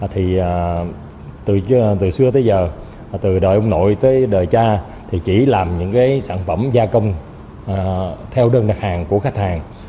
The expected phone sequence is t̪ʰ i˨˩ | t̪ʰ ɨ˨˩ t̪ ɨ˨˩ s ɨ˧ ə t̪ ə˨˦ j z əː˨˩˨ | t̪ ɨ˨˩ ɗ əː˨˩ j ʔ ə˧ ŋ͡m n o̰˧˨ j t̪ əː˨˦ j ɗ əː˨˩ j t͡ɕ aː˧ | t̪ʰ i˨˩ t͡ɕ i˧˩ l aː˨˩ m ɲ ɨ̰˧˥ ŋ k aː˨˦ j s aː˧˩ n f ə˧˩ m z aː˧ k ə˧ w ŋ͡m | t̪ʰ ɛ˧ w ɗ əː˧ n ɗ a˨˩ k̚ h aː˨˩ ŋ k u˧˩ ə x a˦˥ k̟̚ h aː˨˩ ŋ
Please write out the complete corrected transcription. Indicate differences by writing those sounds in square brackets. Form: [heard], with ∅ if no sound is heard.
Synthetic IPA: t̪ʰ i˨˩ | [t̪] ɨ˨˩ t̪ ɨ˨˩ s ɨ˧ ə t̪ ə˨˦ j z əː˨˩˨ | t̪ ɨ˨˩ ɗ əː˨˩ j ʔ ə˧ ŋ͡m n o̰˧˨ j t̪ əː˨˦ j ɗ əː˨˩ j t͡ɕ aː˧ | t̪ʰ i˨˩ t͡ɕ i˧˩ l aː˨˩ m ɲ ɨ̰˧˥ ŋ k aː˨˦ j s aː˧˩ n f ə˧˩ m z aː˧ k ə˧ w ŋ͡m | t̪ʰ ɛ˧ w ɗ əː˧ n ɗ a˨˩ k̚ h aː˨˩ ŋ k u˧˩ ə x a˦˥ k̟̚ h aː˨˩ ŋ